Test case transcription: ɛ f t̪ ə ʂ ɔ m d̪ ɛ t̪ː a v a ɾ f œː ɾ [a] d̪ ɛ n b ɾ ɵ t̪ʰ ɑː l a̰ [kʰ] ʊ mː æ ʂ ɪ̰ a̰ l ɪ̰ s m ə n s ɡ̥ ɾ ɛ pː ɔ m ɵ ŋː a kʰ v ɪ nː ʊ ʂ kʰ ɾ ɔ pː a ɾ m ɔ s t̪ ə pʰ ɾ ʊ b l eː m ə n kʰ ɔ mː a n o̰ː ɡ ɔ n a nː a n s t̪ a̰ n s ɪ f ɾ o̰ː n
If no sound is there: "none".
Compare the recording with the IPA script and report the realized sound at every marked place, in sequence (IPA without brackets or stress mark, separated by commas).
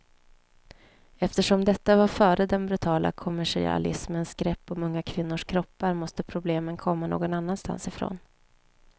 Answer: ə, kʰ